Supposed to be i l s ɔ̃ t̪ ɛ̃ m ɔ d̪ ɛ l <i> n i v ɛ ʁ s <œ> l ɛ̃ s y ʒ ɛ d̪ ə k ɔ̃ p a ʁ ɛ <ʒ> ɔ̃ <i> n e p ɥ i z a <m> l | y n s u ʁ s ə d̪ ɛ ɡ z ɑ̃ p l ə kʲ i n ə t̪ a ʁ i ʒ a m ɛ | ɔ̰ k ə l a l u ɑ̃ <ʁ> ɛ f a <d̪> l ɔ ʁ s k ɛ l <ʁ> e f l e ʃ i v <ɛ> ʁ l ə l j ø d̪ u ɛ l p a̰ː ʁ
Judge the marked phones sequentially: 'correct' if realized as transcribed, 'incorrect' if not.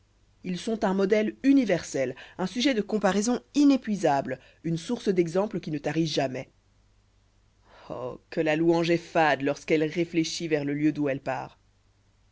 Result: incorrect, incorrect, incorrect, correct, incorrect, incorrect, correct, correct, correct

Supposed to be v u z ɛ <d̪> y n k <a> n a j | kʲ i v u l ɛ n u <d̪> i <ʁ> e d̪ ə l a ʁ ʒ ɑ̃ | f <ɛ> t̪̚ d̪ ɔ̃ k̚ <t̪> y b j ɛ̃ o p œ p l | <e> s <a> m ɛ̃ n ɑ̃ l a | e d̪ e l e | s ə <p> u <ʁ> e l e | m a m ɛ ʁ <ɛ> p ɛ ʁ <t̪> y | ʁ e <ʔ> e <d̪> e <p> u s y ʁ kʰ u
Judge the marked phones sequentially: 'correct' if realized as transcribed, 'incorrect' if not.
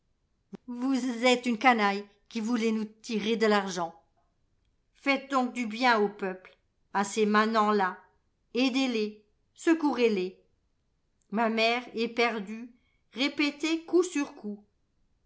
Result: incorrect, correct, incorrect, correct, correct, incorrect, incorrect, incorrect, incorrect, correct, correct, incorrect, incorrect, incorrect, incorrect

